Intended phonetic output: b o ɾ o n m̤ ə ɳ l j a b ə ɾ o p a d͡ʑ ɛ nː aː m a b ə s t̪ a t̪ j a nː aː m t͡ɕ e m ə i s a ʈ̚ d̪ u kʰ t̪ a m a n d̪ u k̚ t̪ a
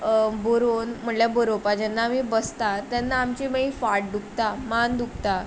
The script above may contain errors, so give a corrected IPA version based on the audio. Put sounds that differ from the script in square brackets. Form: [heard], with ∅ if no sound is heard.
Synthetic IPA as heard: b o ɾ o n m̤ ə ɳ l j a b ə ɾ o p a d͡ʑ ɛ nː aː m [i] b ə s t̪ a t̪ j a nː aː m t͡ɕ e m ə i [f] a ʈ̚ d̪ u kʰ t̪ a m a n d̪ u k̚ t̪ a